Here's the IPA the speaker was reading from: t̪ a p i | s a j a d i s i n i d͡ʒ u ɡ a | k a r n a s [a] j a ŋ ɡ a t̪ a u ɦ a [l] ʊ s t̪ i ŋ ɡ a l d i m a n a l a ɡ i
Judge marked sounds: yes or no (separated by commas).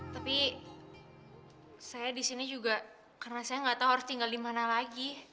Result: yes, no